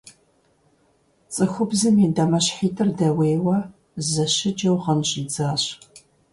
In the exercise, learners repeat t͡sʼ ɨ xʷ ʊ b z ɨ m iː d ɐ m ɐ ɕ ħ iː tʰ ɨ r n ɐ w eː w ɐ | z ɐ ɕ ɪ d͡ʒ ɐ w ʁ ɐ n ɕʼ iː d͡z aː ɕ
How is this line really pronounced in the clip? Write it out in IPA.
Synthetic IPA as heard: t͡sʼ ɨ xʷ ʊ b z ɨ m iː d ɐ m ɐ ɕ ħ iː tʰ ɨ r d ɐ w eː w ɐ | z ɐ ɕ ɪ d͡ʒ ɐ w ʁ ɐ n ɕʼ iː d͡z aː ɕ